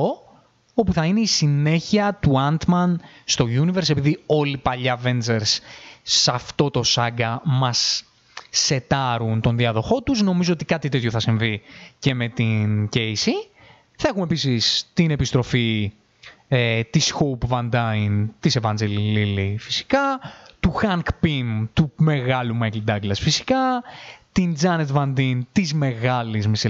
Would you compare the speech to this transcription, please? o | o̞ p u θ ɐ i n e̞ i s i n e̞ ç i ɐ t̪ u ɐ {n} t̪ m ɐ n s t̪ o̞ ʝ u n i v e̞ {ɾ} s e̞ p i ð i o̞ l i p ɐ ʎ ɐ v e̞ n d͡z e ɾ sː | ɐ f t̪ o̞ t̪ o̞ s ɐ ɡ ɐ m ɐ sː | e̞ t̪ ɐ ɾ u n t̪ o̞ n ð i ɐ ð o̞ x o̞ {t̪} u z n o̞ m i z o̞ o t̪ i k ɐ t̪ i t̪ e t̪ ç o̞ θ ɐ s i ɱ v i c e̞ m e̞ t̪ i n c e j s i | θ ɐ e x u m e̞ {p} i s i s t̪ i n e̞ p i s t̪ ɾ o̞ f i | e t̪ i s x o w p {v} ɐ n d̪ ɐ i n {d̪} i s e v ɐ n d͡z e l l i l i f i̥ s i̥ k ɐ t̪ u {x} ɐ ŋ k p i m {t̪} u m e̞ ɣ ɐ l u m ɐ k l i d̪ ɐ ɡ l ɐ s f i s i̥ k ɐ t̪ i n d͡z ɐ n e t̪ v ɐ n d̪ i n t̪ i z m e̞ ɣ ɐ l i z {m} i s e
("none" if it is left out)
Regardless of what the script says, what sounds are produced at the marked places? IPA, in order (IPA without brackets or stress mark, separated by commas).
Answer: n, ɾ, t̪, p, v, t̪, x, t̪, m